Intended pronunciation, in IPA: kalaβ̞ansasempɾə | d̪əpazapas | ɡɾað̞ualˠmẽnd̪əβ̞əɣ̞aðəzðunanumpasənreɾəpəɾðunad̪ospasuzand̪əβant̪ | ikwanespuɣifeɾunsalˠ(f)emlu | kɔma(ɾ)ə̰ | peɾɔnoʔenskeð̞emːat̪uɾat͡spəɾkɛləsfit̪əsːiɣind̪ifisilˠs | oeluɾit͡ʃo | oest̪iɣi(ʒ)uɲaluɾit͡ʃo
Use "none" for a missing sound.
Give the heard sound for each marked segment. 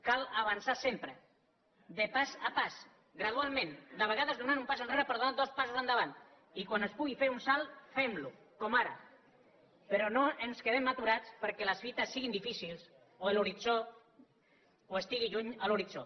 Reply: f, ɾ, ʒ

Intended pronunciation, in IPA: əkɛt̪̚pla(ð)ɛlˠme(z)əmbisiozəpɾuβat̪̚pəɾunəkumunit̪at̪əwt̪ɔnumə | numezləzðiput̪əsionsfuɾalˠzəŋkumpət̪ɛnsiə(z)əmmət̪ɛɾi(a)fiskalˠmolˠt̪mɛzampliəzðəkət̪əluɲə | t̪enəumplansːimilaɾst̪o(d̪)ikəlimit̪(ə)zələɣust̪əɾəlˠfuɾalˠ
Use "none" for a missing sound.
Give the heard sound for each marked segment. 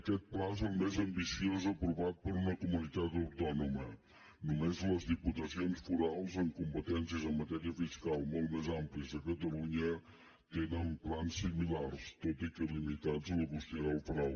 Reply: z, z, z, ə, t̪, a

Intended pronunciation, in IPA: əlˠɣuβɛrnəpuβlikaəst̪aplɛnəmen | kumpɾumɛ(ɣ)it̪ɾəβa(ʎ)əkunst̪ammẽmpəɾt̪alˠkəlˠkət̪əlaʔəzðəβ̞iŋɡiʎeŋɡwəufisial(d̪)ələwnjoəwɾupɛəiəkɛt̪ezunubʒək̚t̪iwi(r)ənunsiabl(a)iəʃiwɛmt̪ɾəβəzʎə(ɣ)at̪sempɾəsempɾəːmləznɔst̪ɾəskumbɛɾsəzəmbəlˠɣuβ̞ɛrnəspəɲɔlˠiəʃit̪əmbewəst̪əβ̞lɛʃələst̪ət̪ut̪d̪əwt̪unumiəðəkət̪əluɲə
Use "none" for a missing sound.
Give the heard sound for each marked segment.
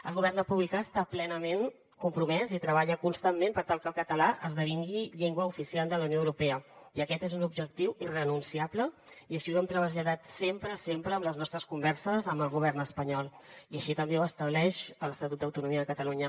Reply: z, ʎ, d̪, r, ə, ð

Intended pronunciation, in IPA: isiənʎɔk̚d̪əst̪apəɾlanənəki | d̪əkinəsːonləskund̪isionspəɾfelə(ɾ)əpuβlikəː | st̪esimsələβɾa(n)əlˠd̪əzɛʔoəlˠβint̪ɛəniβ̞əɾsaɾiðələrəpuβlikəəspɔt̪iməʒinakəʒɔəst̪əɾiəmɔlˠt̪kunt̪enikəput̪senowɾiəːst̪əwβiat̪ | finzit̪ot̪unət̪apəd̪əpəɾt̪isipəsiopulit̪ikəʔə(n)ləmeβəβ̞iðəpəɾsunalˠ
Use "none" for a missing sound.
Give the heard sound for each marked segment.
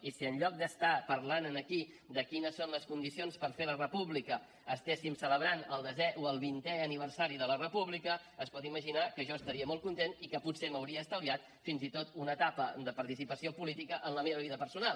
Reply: r, n, n

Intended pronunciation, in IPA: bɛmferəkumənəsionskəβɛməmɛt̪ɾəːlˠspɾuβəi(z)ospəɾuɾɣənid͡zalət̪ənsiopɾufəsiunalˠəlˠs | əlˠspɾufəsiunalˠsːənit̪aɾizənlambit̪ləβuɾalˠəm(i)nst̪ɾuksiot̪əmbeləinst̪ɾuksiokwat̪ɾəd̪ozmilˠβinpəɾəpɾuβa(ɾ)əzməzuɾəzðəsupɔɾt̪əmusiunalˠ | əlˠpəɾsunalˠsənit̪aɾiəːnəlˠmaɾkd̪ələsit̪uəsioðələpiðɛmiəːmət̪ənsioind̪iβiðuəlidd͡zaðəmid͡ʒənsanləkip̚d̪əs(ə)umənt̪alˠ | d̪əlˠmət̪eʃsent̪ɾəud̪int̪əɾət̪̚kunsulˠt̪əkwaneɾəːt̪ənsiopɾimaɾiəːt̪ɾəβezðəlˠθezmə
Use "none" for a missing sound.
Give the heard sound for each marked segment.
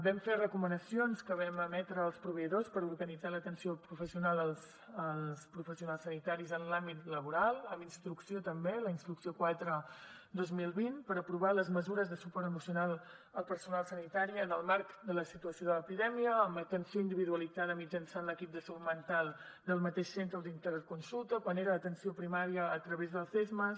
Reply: ð, i, l, ə

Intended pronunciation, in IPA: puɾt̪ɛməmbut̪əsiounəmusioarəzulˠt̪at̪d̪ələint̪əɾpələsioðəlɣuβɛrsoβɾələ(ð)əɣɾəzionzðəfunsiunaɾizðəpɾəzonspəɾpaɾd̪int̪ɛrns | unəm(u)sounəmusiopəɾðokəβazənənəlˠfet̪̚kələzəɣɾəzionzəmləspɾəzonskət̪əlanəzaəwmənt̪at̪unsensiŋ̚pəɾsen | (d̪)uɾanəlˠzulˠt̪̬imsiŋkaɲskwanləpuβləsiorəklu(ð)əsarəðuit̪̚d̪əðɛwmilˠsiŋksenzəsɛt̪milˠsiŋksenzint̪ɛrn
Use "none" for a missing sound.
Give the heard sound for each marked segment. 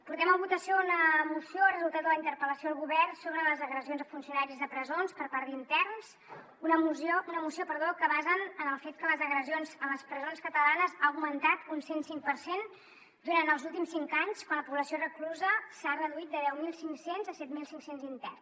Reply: z, u, d̪, z

